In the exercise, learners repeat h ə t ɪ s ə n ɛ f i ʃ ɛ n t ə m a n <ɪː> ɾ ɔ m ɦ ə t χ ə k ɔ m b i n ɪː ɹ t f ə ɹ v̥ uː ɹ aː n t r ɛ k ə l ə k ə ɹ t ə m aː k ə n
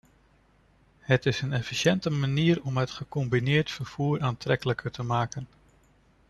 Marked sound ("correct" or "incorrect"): incorrect